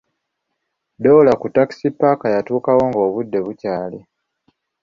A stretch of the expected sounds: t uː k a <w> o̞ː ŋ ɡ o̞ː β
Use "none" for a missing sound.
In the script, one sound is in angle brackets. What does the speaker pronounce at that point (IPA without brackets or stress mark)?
w